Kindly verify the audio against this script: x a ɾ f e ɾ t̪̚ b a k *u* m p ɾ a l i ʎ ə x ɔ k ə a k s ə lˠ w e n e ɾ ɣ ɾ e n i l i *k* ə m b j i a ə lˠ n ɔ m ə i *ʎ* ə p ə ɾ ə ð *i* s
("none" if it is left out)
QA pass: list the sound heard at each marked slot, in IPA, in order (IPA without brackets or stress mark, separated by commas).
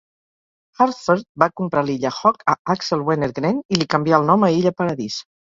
u, k, ʎ, i